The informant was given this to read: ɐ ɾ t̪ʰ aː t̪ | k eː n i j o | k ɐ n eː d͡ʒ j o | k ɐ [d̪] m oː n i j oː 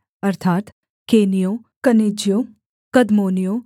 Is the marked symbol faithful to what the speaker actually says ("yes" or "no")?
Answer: yes